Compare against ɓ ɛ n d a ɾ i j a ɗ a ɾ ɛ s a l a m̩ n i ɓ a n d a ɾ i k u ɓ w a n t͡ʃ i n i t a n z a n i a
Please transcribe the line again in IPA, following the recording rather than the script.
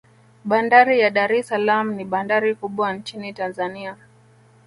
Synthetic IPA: ɓ a n d a ɾ i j a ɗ a ɾ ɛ s a l a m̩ n i ɓ a n d a ɾ i k u ɓ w a n t͡ʃ i n i t a n z a n i a